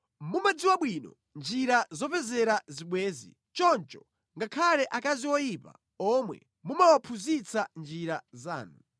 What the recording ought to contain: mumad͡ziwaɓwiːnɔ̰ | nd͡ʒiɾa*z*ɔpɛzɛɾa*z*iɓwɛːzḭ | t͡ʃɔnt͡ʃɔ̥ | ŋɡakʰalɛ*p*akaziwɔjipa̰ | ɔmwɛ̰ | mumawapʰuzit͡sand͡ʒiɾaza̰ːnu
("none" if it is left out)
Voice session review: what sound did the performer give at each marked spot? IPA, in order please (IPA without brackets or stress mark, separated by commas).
z, z, ʔ